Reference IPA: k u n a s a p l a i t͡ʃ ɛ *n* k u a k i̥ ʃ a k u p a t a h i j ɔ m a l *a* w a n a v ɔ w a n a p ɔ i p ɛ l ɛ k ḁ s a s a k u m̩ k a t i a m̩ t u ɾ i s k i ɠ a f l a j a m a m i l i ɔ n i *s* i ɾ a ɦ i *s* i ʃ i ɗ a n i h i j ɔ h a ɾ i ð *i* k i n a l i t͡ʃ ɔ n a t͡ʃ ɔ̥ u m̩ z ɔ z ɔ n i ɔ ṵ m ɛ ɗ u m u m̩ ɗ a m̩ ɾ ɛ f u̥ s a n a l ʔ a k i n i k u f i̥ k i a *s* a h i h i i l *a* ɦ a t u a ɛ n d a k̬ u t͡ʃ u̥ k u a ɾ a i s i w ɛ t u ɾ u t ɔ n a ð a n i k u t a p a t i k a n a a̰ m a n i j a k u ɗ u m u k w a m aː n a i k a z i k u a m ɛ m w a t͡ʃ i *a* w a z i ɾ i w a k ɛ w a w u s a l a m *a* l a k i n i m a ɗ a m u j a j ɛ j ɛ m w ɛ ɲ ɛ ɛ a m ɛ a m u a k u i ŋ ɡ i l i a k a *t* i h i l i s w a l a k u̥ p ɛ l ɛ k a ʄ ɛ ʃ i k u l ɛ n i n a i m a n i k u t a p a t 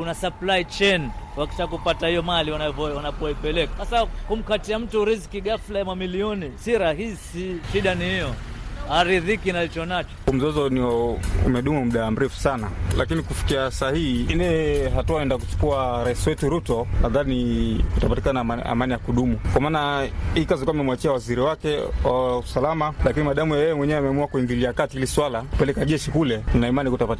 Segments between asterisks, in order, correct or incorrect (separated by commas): correct, incorrect, correct, correct, correct, correct, incorrect, correct, correct, correct